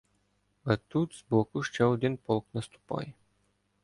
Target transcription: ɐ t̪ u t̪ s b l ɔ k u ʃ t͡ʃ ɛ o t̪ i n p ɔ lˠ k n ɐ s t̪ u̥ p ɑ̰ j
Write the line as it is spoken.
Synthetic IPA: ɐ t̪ u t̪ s b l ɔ k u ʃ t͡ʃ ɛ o d̪ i n p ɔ lˠ k n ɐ s t̪ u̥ p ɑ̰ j